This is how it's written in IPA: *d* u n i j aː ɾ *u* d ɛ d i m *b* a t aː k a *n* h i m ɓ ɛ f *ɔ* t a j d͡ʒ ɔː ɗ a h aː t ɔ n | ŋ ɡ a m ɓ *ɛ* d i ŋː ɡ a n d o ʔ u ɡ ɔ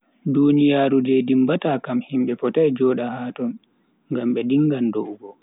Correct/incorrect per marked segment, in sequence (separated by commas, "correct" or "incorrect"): correct, correct, correct, incorrect, correct, correct